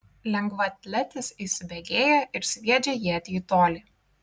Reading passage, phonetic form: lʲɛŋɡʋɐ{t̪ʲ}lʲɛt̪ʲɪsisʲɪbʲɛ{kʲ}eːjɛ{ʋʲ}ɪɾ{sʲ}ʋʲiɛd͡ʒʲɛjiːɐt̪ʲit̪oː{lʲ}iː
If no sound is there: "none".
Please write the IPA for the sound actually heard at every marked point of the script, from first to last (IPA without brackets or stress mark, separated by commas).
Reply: t̪ʲ, ɡʲ, none, sʲ, lʲ